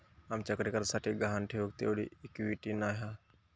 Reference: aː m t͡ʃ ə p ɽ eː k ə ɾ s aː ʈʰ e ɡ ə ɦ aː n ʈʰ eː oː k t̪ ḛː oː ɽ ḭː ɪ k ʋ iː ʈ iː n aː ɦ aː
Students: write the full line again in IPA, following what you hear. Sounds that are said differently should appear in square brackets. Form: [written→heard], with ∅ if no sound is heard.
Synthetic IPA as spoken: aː m t͡ʃ ə [p→k] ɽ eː k ə ɾ s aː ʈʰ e ɡ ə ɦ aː n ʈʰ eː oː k t̪ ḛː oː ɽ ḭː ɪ k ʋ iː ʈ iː n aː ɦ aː

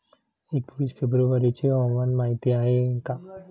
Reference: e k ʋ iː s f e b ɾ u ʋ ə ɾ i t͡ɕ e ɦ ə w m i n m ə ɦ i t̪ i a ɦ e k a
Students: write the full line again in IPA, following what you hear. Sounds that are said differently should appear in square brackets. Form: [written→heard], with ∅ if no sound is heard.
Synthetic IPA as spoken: e k ʋ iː s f e b ɾ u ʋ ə ɾ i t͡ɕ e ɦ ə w m [i→a] n m [ə→a] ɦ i t̪ i a ɦ e k a

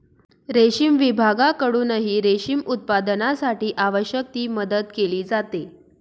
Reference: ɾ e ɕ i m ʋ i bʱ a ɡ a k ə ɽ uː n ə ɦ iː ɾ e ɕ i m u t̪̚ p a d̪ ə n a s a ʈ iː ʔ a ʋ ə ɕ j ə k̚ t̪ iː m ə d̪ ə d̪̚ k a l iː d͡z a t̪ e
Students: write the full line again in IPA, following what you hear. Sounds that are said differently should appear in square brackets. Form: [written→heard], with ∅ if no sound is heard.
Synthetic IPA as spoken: ɾ e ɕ i m ʋ i bʱ a ɡ a k ə ɽ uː n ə ɦ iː ɾ e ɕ i m u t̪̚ p a d̪ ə n a s a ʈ iː ʔ a ʋ ə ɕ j ə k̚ t̪ iː m ə d̪ ə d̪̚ k [a→e] l iː d͡z a t̪ e

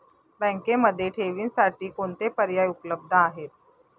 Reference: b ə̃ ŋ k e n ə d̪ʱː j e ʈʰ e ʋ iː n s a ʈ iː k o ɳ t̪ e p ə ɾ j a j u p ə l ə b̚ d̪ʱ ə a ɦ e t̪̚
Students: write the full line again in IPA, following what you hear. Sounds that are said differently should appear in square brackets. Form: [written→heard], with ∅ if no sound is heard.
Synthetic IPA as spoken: b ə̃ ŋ k e [n→m] ə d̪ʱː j e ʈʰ e ʋ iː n s a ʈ iː k o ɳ t̪ e p ə ɾ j a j u p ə l ə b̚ d̪ʱ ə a ɦ e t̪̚

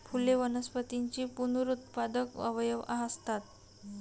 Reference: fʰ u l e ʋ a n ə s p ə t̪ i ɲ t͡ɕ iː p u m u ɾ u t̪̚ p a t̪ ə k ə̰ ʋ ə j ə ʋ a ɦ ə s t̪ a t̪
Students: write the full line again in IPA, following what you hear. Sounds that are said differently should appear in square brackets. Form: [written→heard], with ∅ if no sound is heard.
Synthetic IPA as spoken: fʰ u l e ʋ [a→ə] n ə s p ə t̪ i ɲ t͡ɕ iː p u [m→n] u ɾ u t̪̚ p a [t̪→d̪] ə k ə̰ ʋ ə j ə ʋ a ɦ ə s t̪ a t̪

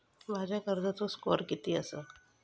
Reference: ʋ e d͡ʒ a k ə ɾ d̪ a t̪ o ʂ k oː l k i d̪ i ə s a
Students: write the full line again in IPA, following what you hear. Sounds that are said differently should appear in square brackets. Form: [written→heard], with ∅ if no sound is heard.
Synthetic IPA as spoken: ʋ [e→a] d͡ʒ a k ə ɾ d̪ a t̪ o [ʂ→s] k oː [l→ɾ] k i [d̪→t̪] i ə s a

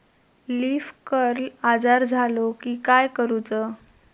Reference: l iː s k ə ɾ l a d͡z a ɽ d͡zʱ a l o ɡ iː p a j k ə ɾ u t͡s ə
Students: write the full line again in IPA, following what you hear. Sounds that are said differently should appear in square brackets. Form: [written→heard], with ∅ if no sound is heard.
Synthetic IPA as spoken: l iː [s→f] k ə ɾ l a d͡z a [ɽ→ɾ] d͡zʱ a l o [ɡ→k] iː [p→k] a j k ə ɾ u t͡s ə

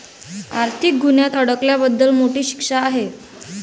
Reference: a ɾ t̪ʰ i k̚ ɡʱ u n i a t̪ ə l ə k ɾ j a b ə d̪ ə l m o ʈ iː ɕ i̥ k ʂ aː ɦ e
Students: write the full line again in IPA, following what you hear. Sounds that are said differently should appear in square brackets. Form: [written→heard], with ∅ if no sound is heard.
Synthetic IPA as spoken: a ɾ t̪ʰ i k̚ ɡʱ u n [i→j] a t̪ ə [l→ɽ] ə k [ɾ→l] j a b ə [d̪→d̪ː] ə l m o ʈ iː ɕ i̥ k ʂ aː ɦ e

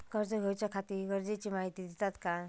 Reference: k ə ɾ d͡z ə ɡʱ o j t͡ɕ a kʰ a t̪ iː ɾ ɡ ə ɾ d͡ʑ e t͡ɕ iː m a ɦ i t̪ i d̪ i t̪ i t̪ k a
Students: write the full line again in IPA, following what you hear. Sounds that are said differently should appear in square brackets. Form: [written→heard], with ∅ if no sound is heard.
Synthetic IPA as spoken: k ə ɾ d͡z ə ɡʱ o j t͡ɕ a kʰ a t̪ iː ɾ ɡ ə ɾ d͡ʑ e t͡ɕ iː m a ɦ i t̪ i d̪ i t̪ [i→a] t̪ k a

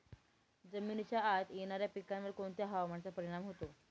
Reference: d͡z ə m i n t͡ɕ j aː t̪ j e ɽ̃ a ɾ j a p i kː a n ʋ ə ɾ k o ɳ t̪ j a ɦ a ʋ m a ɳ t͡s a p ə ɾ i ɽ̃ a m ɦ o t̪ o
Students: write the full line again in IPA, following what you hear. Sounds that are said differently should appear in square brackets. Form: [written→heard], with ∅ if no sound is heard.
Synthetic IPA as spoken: d͡z ə m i n t͡ɕ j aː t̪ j e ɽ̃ a ɾ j a p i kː a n ʋ ə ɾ k o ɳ t̪ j a ɦ a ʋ m a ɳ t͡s a p ə ɾ i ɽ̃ a m ɦ o t̪ o

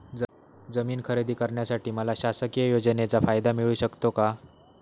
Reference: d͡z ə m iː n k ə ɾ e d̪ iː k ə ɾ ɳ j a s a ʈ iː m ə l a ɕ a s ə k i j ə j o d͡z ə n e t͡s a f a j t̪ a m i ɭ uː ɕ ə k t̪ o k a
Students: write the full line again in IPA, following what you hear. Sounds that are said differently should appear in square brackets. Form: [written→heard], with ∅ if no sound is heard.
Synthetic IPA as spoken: d͡z ə m iː n [k→kʰ] ə ɾ e d̪ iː k ə ɾ ɳ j a s a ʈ iː m ə l a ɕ a s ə k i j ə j o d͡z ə n e t͡s a f a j [t̪→d̪] a m i ɭ uː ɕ ə k t̪ o k a

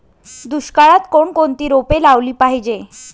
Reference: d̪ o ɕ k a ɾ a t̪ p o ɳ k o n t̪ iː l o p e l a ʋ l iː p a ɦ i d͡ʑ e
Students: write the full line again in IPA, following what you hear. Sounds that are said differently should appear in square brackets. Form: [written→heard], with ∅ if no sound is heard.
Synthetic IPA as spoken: d̪ [o→u] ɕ k a [ɾ→ɭ] a t̪ [p→k] o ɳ k o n t̪ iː [l→ɾ] o p e l a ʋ l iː p a ɦ i d͡ʑ e

